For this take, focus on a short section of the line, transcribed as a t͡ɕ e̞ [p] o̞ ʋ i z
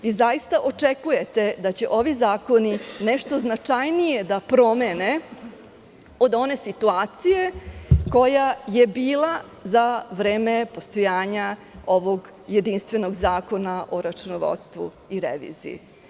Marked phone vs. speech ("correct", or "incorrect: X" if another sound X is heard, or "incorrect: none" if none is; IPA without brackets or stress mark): incorrect: ʔ